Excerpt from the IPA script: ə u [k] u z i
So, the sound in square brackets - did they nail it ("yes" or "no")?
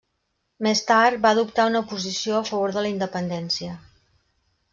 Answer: no